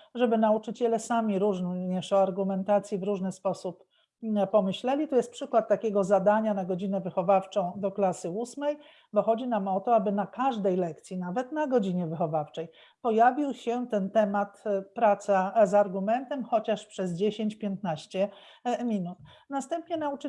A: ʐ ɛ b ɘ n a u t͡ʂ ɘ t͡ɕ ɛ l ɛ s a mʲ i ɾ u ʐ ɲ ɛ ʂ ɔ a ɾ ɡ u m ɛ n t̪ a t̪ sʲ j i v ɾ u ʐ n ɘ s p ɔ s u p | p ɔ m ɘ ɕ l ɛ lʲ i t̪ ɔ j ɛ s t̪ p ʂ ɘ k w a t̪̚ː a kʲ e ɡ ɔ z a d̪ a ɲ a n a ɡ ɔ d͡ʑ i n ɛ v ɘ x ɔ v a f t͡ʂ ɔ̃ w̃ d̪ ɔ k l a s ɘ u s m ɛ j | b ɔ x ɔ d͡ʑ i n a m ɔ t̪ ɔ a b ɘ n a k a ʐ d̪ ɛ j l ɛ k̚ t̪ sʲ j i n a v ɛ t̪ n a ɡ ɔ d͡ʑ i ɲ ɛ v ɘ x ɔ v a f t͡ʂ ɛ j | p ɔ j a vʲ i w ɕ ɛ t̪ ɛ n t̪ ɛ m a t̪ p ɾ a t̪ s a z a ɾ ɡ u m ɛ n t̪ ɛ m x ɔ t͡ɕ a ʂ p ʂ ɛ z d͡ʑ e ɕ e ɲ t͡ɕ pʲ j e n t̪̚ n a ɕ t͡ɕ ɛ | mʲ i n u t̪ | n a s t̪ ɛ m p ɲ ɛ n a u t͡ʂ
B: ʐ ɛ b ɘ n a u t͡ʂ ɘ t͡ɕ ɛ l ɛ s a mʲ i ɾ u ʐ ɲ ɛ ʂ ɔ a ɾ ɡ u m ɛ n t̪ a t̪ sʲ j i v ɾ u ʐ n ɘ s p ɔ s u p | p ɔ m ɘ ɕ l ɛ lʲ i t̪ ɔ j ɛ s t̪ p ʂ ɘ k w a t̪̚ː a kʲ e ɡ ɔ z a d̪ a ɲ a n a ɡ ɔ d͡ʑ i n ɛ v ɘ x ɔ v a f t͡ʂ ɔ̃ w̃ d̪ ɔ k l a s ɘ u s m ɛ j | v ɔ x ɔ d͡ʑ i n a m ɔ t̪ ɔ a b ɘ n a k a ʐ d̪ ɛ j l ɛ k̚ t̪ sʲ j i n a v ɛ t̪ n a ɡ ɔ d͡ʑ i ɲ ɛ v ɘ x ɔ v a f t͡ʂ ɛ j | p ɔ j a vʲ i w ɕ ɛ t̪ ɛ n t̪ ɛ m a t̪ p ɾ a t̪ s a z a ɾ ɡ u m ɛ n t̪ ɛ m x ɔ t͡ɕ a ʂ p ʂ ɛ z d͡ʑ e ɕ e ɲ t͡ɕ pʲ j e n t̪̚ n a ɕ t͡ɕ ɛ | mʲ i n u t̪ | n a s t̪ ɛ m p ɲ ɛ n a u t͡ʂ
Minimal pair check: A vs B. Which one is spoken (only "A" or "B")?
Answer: A